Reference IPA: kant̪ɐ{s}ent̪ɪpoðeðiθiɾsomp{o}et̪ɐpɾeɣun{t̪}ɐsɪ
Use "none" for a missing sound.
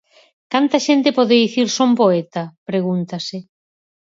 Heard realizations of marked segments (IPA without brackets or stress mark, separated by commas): ʃ, o, t̪